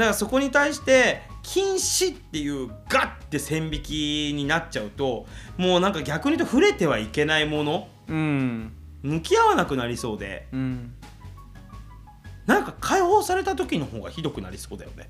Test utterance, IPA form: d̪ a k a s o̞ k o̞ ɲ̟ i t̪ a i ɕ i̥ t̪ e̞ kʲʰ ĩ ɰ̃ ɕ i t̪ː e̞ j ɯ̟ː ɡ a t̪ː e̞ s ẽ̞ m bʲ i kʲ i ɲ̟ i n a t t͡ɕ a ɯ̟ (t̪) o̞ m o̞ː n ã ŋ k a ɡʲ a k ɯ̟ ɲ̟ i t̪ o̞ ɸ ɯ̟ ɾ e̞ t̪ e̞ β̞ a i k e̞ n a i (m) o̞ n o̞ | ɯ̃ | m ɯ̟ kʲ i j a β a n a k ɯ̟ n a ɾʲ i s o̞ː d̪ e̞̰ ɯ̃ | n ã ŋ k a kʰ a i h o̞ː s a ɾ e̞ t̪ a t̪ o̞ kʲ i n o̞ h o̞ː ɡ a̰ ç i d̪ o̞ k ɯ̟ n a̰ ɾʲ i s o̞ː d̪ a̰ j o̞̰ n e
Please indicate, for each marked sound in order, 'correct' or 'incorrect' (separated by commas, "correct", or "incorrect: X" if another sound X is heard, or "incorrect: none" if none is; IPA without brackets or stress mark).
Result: correct, correct